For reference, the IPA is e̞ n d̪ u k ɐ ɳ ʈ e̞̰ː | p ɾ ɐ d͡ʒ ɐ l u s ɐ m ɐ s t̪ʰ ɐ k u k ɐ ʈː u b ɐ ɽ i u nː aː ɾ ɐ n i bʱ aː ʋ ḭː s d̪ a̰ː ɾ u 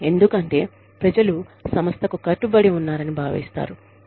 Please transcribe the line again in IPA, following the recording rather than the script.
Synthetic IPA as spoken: e̞ n d̪ u k ɐ ɳ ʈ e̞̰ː | p ɾ ɐ d͡ʒ ɐ l u s ɐ m ɐ s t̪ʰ ɐ k u k ɐ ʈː u b ɐ ɽ i u nː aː ɾ ɐ n i bʱ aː ʋ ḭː s t̪ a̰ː ɾ u